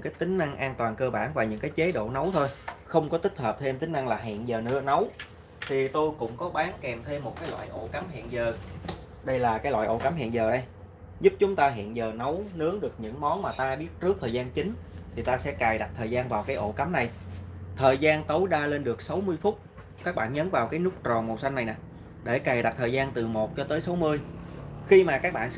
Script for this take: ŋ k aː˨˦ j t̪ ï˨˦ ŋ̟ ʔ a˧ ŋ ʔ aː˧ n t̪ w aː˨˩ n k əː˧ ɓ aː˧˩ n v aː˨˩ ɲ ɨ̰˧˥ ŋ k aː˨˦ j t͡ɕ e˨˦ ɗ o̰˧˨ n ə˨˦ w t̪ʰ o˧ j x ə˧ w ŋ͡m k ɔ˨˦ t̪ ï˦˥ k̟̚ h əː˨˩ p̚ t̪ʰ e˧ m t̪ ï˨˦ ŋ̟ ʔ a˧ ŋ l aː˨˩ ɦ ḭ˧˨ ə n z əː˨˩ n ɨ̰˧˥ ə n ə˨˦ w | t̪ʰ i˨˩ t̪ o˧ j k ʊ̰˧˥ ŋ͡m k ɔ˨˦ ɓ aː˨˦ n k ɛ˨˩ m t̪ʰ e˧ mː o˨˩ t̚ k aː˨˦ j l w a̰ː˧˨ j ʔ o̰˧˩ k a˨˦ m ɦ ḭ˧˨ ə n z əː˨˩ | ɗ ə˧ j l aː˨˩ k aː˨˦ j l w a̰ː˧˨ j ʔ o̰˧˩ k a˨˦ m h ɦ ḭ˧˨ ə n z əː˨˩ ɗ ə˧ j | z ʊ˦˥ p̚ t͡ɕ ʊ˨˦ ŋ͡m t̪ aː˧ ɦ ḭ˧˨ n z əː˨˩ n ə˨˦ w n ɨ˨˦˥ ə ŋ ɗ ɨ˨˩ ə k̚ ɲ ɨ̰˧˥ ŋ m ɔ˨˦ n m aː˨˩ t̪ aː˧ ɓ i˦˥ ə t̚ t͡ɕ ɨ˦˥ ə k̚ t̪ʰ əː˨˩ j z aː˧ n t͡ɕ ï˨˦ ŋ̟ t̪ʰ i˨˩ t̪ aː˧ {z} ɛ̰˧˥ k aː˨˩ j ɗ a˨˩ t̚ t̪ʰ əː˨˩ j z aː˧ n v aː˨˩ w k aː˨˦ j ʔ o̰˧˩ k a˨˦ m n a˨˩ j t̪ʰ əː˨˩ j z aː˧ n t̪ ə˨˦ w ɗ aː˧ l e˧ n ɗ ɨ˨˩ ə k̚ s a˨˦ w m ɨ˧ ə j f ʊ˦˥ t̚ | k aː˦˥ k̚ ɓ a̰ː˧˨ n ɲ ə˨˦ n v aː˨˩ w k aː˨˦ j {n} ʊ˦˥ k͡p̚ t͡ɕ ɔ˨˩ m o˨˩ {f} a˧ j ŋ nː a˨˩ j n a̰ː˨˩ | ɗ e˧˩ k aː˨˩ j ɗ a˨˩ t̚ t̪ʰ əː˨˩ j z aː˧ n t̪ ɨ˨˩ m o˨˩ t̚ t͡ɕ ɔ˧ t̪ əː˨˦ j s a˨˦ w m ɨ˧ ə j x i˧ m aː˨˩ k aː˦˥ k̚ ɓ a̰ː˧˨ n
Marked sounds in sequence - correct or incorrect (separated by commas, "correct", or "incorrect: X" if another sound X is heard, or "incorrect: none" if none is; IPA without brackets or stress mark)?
incorrect: s, correct, incorrect: s